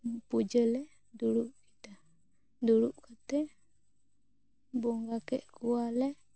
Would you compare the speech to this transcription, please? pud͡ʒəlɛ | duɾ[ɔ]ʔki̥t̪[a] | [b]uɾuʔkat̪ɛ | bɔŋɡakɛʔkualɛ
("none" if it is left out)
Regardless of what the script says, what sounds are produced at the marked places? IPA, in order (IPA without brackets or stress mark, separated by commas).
u, a, d